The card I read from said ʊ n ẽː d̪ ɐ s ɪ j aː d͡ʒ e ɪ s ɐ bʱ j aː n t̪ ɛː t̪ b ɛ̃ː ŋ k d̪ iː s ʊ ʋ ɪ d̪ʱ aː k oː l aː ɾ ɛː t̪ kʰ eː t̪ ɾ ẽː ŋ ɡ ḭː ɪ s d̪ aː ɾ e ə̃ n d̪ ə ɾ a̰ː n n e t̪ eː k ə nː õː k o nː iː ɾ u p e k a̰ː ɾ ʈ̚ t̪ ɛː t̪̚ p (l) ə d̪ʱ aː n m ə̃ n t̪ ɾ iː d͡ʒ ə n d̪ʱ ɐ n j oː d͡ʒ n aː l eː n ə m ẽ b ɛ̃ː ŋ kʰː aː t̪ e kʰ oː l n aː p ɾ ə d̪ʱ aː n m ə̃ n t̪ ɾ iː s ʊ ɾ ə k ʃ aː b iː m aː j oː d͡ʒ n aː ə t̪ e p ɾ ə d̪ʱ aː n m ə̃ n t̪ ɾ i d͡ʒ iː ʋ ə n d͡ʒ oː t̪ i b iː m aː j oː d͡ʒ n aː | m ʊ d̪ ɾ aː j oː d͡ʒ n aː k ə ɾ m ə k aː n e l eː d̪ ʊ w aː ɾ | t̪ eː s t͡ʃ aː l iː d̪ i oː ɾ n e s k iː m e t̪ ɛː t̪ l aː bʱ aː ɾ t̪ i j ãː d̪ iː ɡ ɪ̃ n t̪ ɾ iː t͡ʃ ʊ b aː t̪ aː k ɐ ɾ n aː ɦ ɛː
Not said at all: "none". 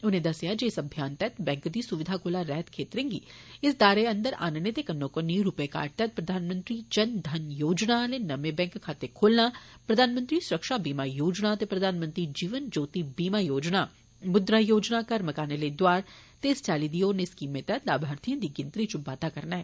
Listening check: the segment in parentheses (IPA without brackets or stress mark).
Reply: ɾ